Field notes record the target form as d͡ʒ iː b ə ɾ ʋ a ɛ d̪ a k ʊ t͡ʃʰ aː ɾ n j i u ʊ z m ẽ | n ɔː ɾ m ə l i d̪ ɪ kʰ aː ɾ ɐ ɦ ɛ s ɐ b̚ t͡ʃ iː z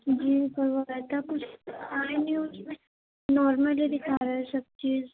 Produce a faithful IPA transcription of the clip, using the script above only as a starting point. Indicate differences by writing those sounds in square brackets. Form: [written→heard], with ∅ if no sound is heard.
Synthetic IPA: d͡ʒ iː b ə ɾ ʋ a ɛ [d̪→t̪] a k ʊ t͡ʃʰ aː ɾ n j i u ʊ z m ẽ | n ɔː ɾ m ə l i d̪ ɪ kʰ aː ɾ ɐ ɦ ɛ s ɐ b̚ t͡ʃ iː z